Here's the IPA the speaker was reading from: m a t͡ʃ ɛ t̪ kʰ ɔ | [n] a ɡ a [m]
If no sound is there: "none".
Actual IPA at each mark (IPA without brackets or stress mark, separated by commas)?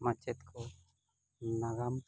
n, m